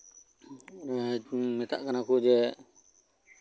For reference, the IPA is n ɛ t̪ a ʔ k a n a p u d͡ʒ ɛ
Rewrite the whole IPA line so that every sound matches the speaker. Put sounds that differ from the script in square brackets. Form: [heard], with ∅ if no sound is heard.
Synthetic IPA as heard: [m] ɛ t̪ a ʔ k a n a [k] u d͡ʒ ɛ